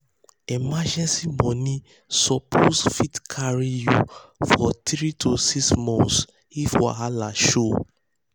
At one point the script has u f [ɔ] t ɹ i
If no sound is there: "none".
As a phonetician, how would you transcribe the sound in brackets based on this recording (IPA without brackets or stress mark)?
ɔ